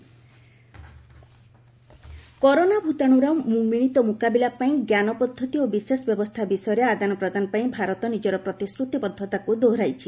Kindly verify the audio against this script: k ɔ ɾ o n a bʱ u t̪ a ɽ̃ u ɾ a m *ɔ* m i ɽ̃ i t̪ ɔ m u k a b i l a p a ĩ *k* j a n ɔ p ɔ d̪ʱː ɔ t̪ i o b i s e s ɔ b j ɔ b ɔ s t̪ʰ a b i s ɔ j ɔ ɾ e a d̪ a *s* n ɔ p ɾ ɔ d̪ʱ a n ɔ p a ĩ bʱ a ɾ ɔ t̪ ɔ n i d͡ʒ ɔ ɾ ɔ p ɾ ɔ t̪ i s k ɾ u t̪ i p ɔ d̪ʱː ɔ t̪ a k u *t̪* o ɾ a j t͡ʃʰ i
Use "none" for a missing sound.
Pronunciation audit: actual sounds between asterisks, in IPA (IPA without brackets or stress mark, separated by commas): u, ɡ, none, d̪